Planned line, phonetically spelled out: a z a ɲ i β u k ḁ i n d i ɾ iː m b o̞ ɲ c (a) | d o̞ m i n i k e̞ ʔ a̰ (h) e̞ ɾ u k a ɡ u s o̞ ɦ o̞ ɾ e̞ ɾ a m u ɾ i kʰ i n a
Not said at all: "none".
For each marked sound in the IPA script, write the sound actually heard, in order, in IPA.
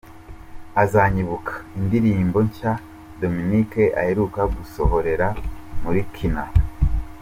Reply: a, h

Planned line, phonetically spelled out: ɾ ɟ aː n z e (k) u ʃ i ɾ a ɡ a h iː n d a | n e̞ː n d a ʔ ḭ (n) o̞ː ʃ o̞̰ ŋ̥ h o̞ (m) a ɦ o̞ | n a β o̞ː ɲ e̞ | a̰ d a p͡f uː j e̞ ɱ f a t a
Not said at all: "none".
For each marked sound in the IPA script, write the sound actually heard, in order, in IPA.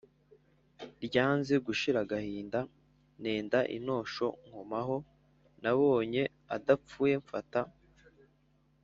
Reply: ɡ, n, m

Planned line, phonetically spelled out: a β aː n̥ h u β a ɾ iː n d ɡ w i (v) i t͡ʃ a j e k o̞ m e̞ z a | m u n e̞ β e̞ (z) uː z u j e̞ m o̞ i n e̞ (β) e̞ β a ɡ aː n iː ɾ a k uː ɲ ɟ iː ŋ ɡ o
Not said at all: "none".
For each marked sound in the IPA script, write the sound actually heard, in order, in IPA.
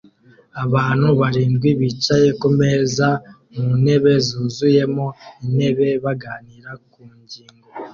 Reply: β, z, β

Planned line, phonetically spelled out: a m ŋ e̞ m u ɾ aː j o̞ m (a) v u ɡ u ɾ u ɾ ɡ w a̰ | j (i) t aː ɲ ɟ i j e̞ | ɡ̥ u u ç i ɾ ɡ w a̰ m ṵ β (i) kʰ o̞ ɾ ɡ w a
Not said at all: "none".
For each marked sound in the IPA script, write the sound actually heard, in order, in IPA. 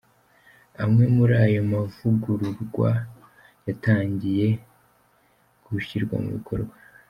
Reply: a, a, i

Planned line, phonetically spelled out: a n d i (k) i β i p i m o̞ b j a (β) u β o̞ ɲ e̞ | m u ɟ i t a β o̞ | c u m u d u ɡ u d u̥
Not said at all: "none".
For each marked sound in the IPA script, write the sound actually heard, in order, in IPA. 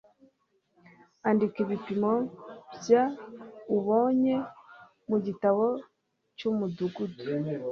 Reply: k, none

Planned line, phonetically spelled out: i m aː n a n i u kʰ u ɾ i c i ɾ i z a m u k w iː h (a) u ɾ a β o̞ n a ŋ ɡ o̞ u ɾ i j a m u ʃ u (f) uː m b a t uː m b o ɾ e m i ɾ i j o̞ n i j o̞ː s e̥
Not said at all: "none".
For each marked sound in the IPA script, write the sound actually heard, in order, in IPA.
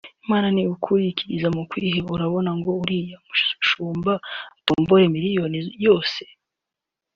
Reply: e, ʃ

